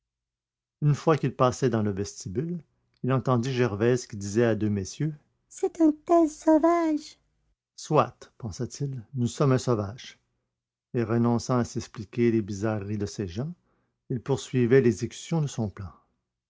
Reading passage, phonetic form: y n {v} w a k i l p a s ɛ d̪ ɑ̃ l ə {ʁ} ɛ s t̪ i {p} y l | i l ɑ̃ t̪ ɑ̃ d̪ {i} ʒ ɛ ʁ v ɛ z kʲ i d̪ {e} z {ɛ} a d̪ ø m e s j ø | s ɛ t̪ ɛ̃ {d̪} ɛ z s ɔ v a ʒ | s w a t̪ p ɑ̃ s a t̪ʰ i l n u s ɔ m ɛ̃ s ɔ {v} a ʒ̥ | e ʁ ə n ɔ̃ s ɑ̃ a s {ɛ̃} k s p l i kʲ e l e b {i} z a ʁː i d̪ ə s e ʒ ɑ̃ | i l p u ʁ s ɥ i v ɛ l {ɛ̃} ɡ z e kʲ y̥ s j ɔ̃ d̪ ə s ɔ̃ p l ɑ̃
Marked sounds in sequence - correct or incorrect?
incorrect: f, incorrect: v, incorrect: b, correct, incorrect: i, correct, incorrect: t̪, correct, incorrect: ɛ, correct, incorrect: ɛ

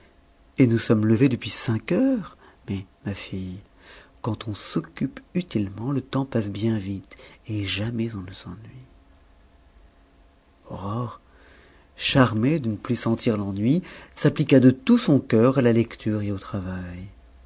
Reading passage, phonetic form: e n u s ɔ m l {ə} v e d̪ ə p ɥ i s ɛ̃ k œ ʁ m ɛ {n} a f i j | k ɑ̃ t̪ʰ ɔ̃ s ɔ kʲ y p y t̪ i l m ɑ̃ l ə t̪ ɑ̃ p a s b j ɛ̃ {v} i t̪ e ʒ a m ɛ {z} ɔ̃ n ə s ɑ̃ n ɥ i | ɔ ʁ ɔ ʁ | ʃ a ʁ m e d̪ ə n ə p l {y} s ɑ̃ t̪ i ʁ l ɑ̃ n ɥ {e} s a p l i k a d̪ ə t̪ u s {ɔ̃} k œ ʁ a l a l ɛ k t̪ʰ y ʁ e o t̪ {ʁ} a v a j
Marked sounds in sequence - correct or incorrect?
correct, incorrect: m, correct, correct, correct, incorrect: i, correct, incorrect: χ

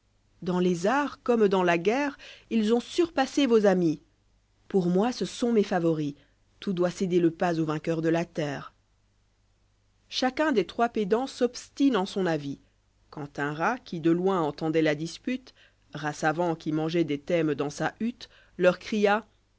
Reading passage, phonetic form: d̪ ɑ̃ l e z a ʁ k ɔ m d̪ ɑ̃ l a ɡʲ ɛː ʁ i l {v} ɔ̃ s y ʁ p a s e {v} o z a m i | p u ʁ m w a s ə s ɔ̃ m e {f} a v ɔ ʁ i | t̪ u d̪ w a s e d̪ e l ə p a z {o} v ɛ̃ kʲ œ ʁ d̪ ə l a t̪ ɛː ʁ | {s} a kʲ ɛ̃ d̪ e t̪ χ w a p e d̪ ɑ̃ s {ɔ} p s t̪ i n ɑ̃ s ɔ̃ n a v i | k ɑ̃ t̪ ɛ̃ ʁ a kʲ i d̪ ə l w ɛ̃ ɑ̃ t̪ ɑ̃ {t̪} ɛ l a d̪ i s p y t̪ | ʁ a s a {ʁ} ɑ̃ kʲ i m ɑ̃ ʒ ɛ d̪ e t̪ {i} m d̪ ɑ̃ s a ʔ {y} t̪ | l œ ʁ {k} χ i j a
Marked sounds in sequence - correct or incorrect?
incorrect: z, correct, correct, correct, incorrect: ʃ, correct, incorrect: d̪, incorrect: v, incorrect: ɛ, correct, correct

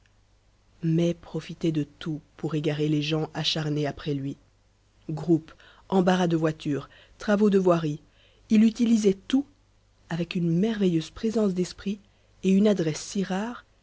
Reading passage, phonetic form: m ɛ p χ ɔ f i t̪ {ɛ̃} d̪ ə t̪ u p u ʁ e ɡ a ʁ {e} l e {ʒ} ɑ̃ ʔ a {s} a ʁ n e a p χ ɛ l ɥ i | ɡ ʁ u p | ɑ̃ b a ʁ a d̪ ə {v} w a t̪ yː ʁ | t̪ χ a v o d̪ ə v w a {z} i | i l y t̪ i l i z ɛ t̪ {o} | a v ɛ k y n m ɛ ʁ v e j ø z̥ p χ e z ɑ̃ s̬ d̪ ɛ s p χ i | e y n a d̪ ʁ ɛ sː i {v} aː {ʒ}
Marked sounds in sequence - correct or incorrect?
incorrect: ɛ, correct, correct, incorrect: ʃ, correct, incorrect: ʁ, incorrect: u, incorrect: ʁ, incorrect: ʁ

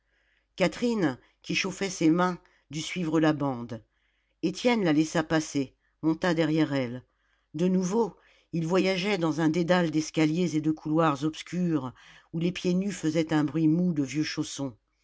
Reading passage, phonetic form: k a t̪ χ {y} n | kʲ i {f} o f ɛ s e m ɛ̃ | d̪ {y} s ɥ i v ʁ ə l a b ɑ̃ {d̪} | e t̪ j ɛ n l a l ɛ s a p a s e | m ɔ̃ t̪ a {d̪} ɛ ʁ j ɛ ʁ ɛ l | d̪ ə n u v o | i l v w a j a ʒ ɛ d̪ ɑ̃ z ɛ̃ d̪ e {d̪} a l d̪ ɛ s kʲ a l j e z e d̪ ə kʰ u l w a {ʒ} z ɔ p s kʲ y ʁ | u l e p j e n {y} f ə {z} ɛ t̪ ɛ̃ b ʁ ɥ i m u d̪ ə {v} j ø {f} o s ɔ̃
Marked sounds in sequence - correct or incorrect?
incorrect: i, incorrect: ʃ, correct, correct, correct, correct, incorrect: ʁ, correct, correct, correct, incorrect: ʃ

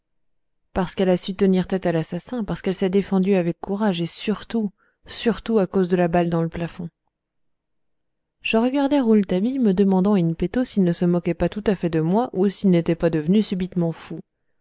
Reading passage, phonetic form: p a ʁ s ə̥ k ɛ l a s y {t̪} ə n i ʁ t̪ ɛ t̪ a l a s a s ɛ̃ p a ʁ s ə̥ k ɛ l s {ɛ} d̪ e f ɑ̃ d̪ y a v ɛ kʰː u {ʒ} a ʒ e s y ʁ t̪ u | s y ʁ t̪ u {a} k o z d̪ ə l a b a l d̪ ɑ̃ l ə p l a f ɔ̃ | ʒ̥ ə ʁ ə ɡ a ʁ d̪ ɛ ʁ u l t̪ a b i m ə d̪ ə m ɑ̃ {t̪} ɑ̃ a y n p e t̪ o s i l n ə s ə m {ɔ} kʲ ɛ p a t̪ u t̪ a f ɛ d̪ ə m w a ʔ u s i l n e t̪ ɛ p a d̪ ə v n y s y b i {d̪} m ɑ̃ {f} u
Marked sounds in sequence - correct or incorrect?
correct, correct, incorrect: ʁ, correct, incorrect: d̪, correct, incorrect: t̪, correct

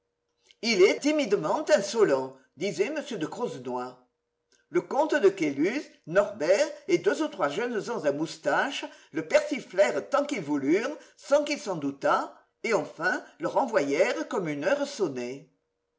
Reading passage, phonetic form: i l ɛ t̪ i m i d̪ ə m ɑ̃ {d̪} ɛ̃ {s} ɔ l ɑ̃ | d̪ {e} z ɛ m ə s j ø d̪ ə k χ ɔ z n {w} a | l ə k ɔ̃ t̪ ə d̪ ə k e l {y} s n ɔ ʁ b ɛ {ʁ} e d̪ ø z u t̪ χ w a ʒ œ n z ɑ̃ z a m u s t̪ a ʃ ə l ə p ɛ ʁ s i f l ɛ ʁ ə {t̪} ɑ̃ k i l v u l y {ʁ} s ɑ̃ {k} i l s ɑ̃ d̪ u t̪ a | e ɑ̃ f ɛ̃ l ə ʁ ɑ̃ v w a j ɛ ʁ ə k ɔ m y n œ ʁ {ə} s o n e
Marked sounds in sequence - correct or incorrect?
incorrect: t̪, correct, incorrect: i, correct, correct, correct, correct, correct, correct, correct

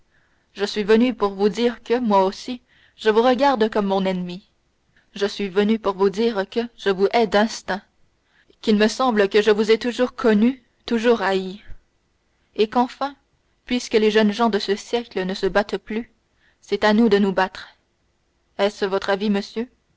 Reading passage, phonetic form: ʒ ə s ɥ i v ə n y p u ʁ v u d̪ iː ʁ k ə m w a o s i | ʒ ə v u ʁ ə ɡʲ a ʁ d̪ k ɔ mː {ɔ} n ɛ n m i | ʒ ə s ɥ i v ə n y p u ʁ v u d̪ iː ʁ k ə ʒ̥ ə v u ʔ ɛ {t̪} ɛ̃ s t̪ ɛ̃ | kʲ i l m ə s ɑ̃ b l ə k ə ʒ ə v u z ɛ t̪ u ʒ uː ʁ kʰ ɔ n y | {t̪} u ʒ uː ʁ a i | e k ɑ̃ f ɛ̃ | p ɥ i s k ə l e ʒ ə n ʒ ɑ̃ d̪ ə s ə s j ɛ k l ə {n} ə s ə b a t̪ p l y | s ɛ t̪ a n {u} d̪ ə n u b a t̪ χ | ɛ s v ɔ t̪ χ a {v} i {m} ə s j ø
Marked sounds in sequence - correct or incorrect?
incorrect: ɔ̃, incorrect: d̪, correct, correct, correct, correct, correct

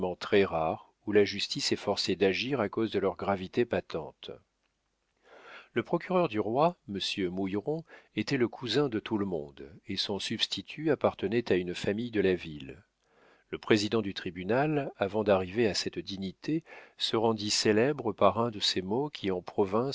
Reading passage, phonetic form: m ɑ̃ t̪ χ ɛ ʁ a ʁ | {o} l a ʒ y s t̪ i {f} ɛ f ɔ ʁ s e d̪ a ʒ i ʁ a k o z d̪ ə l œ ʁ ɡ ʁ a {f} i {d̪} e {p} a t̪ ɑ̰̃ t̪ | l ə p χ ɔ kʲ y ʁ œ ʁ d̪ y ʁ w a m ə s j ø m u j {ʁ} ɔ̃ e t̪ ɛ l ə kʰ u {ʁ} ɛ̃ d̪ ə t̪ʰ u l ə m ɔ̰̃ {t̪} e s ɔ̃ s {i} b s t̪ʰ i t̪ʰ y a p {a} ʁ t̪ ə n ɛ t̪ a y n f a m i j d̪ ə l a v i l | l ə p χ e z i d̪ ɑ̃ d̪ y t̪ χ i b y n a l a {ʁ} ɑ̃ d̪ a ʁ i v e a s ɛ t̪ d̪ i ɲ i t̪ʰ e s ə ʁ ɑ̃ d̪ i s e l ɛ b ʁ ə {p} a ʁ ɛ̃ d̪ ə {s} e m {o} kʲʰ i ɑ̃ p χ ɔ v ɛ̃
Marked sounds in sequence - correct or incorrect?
incorrect: u, incorrect: s, incorrect: v, incorrect: t̪, correct, correct, incorrect: z, incorrect: d̪, incorrect: y, correct, incorrect: v, correct, correct, correct

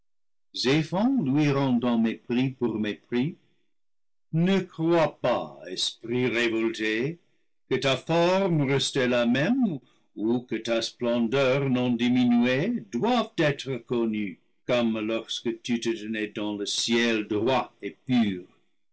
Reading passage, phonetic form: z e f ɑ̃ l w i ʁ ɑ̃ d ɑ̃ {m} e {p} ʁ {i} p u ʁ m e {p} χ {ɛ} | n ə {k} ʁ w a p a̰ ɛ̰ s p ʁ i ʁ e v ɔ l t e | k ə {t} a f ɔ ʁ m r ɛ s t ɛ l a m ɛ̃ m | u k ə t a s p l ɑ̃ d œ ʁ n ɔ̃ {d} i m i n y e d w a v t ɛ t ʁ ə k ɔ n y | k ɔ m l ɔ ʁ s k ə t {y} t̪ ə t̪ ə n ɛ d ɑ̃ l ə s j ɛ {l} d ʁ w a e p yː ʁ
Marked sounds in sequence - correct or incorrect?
correct, correct, correct, correct, incorrect: i, correct, correct, correct, correct, correct

